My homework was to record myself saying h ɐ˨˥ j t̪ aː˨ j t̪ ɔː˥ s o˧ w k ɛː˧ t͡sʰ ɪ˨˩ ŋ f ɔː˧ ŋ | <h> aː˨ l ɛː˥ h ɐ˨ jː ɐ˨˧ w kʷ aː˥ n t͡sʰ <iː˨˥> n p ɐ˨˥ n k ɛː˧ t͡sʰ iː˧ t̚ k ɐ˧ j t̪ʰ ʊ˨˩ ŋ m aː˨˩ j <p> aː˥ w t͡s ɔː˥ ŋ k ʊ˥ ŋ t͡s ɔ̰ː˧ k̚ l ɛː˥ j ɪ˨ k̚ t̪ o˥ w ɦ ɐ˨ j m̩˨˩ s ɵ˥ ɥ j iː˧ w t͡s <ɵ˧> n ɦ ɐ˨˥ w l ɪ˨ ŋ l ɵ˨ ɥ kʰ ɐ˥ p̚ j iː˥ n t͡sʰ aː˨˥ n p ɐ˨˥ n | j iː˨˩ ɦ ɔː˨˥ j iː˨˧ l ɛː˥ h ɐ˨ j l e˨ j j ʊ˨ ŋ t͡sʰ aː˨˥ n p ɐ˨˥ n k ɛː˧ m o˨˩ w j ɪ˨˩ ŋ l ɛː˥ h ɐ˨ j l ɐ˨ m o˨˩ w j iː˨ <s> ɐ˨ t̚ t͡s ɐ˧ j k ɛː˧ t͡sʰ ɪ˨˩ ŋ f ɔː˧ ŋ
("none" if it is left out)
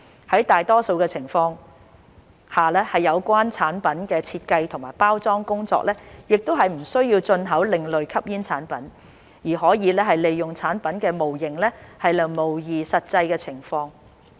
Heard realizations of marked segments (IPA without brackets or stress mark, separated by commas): h, aː˨˥, p, ɵ˧, s